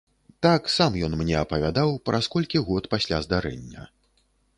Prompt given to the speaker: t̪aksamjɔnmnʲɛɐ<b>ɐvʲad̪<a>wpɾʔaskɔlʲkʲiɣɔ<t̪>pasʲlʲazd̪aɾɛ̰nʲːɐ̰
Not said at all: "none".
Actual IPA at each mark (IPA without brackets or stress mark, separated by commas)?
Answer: p, a, t̪